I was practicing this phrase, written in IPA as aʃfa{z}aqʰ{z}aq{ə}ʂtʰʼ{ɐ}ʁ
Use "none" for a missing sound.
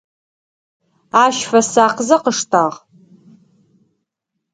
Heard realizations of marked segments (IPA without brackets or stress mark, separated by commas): s, z, ə, a